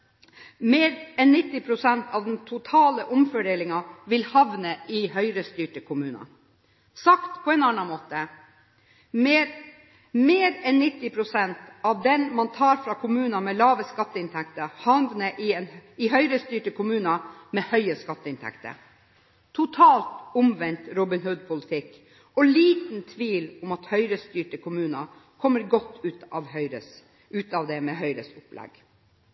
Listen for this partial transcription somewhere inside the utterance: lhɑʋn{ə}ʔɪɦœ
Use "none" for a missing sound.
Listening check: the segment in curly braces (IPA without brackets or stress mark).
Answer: ə